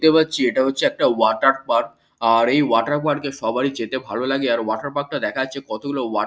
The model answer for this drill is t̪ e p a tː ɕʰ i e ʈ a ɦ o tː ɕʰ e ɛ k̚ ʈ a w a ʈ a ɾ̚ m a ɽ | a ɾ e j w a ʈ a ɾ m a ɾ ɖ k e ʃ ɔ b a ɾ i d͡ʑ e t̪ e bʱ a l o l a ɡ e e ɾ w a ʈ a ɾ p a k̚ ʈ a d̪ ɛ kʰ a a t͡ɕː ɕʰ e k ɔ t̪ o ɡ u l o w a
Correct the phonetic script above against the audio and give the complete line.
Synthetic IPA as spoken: t̪ e p a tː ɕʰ i e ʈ a ɦ o tː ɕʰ e ɛ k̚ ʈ a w a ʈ a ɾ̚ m a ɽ | a ɾ e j w a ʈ a ɾ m a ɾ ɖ k e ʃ ɔ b a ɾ i d͡ʑ e t̪ e bʱ a l o l a ɡ e a ɾ w a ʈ a ɾ p a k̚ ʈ a d̪ ɛ kʰ a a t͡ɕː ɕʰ e k ɔ t̪ o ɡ u l o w a